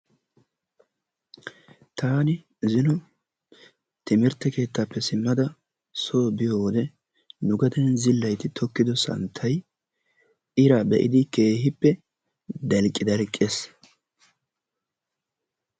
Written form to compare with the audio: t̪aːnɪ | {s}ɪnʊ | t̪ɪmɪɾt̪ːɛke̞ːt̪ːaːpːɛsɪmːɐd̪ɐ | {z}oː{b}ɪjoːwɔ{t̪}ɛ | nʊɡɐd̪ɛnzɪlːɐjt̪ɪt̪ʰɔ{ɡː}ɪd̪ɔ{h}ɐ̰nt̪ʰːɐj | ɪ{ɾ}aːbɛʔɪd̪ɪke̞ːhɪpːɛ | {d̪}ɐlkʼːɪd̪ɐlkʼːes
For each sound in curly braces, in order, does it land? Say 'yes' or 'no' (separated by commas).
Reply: no, no, yes, no, no, no, yes, yes